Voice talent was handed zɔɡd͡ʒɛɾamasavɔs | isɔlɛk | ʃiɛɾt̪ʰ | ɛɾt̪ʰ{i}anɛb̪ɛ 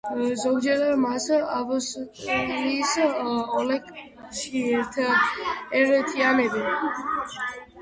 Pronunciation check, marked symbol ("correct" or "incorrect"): correct